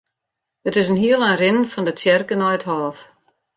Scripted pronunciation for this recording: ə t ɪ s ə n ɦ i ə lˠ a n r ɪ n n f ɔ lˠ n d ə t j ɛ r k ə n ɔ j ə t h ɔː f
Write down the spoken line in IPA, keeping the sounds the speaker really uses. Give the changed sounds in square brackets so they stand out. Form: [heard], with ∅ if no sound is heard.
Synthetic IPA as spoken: ə t ɪ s ə n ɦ i ə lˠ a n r ɪ n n f ɔ [∅] n d ə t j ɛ r k ə n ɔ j ə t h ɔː f